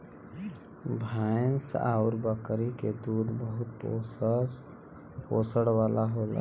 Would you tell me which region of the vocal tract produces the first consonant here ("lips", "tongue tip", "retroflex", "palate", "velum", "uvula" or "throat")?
lips